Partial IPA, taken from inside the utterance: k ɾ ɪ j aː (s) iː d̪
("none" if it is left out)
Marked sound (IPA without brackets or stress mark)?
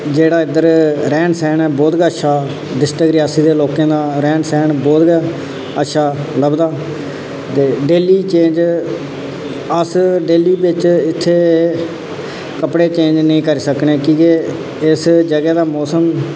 s